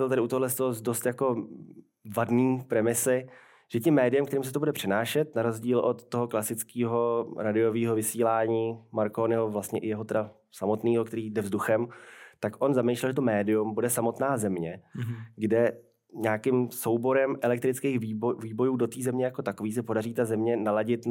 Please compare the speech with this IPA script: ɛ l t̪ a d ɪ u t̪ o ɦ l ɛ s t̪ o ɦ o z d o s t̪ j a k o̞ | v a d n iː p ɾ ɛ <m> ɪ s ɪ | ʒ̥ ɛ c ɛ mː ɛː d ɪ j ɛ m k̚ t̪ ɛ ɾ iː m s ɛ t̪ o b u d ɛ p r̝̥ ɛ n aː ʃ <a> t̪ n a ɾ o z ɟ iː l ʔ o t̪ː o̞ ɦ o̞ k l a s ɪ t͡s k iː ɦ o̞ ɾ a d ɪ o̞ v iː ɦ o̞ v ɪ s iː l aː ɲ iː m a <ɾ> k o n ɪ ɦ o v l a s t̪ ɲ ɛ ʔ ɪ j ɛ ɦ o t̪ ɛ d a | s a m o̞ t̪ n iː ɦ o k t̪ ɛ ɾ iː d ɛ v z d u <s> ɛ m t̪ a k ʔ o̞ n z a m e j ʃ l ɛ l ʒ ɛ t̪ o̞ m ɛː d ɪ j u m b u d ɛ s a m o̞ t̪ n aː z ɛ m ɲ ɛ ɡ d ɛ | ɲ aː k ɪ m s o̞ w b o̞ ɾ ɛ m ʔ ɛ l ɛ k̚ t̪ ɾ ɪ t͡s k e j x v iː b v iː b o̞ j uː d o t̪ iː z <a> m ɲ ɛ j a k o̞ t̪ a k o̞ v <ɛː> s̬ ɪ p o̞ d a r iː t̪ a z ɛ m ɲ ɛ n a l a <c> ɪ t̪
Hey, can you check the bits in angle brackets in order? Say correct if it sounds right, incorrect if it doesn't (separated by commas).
correct, incorrect, correct, incorrect, incorrect, incorrect, incorrect